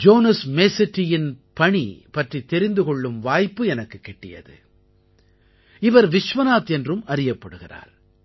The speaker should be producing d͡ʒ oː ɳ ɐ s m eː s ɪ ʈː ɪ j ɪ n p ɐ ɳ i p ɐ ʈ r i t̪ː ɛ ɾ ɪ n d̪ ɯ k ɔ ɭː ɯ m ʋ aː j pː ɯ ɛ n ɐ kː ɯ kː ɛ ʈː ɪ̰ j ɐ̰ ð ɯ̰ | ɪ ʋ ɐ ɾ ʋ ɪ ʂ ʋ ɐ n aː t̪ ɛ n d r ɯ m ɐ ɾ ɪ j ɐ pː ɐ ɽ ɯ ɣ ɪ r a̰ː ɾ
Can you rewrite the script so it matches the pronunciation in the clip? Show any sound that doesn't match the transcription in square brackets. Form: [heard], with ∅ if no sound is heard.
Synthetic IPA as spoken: d͡ʒ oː [n] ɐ s m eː s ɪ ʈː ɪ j ɪ n p ɐ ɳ i p ɐ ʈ r i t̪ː ɛ ɾ ɪ n d̪ ɯ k ɔ ɭː ɯ m ʋ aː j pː ɯ ɛ n ɐ kː ɯ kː ɛ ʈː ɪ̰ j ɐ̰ ð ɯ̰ | ɪ ʋ ɐ ɾ ʋ ɪ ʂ ʋ ɐ n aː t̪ ɛ n d r ɯ m ɐ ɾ ɪ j ɐ pː ɐ ɽ ɯ ɣ ɪ r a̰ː ɾ